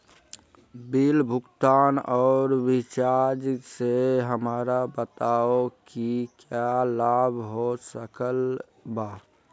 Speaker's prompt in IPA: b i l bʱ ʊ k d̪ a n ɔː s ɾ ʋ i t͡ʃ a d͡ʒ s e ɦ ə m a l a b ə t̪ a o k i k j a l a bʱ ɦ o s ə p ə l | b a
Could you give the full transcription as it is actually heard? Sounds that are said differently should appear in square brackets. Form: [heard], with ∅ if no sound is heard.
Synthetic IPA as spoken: b i l bʱ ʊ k [t̪] a n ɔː [∅] ɾ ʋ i t͡ʃ a d͡ʒ s e ɦ ə m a [ɾ] a b ə t̪ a o k i k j a l a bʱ ɦ o s ə [k] ə l | b a